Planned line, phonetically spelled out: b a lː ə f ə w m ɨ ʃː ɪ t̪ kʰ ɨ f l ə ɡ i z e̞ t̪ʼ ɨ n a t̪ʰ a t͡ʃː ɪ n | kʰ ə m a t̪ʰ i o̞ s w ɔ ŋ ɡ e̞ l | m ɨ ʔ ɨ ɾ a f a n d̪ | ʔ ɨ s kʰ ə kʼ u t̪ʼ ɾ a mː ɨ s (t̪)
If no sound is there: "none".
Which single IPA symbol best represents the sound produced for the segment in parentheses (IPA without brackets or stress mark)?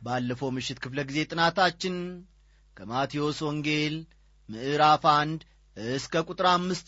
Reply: t̪